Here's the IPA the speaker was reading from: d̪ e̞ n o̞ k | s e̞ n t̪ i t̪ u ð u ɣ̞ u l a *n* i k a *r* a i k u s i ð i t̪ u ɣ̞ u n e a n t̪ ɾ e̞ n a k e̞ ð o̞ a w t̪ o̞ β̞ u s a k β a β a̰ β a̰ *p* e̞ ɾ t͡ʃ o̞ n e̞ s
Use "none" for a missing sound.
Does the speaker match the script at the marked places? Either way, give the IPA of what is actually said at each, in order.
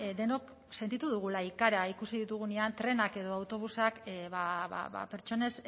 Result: none, ɾ, p

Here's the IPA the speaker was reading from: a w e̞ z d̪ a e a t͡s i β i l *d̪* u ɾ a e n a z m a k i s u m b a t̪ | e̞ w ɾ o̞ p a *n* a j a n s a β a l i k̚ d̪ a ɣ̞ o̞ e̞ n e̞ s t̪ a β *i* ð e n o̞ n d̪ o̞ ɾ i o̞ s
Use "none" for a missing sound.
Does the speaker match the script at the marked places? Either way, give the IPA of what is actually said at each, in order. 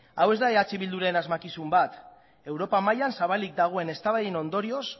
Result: d̪, m, a

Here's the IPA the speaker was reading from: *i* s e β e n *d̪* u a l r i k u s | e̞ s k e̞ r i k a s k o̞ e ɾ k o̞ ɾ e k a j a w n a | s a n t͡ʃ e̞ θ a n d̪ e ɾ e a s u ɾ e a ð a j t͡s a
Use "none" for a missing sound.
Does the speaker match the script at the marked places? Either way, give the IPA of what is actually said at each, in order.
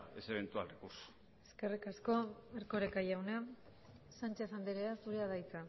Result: e, t̪

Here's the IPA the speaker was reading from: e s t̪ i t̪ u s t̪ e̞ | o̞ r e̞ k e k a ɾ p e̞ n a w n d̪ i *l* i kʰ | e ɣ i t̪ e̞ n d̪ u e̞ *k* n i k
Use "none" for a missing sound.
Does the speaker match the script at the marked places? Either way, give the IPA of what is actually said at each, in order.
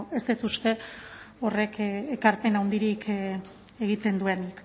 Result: ɾ, none

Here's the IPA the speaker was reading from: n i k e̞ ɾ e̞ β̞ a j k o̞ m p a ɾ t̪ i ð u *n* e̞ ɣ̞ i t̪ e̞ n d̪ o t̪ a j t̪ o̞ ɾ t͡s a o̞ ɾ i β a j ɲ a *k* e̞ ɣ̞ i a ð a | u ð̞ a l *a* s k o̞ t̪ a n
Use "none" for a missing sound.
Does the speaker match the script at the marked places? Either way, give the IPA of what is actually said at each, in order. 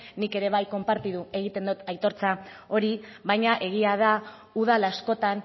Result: none, ʔ, a

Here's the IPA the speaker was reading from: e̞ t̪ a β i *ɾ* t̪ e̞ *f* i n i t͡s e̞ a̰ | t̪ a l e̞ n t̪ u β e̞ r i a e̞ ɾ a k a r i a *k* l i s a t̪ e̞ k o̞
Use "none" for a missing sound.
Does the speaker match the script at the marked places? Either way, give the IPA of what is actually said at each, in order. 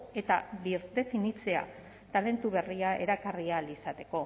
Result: ɾ, f, none

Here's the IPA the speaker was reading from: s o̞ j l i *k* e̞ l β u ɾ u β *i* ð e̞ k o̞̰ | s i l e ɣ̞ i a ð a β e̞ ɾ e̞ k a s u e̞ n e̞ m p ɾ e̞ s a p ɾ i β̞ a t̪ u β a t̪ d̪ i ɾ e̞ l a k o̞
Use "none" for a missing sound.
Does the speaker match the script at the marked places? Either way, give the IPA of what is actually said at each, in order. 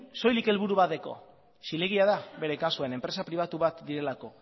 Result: k, a

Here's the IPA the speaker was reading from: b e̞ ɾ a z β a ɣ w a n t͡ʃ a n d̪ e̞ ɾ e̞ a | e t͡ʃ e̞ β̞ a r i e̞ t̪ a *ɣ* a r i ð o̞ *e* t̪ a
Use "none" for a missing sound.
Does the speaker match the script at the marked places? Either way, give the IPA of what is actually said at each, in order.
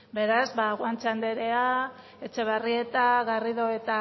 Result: ɣ, e

